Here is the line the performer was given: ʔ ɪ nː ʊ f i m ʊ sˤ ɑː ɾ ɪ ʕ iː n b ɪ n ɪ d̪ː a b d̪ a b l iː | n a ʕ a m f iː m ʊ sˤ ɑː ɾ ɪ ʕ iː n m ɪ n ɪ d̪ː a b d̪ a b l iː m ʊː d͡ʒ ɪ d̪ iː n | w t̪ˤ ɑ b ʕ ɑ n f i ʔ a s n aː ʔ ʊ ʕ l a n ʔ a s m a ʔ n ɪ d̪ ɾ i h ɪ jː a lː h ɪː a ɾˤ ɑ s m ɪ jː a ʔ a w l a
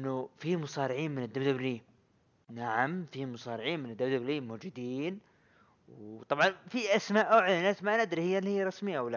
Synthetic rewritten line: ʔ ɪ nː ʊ f i m ʊ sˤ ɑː ɾ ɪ ʕ iː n m ɪ n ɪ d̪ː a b d̪ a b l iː | n a ʕ a m f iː m ʊ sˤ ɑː ɾ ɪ ʕ iː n m ɪ n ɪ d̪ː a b d̪ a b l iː m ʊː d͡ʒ ɪ d̪ iː n | w t̪ˤ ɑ b ʕ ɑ n f i ʔ a s m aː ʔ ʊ ʕ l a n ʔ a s m a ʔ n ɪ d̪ ɾ i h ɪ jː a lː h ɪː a ɾˤ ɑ s m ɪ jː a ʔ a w l a